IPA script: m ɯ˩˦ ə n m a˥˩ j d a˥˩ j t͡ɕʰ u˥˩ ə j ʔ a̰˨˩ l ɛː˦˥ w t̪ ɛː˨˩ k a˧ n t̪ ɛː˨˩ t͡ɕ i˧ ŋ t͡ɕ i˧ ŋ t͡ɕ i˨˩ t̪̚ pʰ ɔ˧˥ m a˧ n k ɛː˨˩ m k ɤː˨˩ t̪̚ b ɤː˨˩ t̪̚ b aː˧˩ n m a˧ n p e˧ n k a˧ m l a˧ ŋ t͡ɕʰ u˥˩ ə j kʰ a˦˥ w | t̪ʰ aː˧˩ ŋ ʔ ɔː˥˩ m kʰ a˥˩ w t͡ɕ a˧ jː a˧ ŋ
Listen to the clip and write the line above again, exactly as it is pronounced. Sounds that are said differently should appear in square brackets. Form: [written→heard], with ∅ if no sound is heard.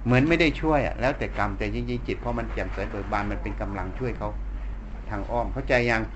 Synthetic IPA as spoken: m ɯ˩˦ ə n m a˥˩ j d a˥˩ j t͡ɕʰ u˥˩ ə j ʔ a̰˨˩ l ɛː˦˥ w t̪ ɛː˨˩ k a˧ [n→m] t̪ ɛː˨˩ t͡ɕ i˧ ŋ t͡ɕ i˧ ŋ t͡ɕ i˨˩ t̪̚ pʰ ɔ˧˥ m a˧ n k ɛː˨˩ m k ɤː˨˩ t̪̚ b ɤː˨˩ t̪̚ b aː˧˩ n m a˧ n p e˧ n k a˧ m l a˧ ŋ t͡ɕʰ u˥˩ ə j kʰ a˦˥ w | t̪ʰ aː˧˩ ŋ ʔ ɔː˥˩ m kʰ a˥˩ w t͡ɕ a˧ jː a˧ ŋ